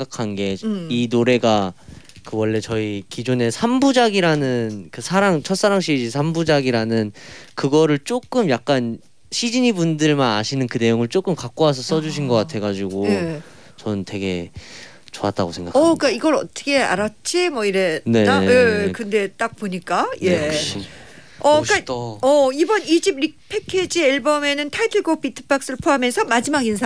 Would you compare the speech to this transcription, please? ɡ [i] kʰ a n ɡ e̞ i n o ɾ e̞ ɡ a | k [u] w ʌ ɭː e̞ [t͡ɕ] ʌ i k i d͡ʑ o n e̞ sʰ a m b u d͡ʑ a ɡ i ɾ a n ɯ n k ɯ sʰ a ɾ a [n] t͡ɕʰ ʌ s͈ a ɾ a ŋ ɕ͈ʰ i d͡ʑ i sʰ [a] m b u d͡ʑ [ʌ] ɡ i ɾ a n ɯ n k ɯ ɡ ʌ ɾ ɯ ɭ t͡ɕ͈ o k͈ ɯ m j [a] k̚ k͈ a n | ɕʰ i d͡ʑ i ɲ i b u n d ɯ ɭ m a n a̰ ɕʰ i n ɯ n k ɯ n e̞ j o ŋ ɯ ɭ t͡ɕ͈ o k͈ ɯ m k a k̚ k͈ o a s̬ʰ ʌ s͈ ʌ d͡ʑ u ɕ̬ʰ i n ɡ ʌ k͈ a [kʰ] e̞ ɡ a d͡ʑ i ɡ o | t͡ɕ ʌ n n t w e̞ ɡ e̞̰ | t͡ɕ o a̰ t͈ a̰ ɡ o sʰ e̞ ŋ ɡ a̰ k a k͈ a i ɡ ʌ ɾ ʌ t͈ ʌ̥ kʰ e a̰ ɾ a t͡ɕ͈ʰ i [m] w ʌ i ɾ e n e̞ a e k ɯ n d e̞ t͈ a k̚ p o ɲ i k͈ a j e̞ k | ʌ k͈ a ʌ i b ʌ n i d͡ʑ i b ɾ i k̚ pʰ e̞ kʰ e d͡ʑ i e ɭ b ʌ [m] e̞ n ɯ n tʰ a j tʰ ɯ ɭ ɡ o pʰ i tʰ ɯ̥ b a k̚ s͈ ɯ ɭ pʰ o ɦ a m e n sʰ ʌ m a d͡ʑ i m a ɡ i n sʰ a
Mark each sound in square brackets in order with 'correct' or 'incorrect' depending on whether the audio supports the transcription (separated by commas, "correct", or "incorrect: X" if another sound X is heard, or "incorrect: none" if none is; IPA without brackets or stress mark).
incorrect: a, incorrect: ɯ, correct, incorrect: ŋ, correct, incorrect: a, correct, incorrect: tʰ, correct, correct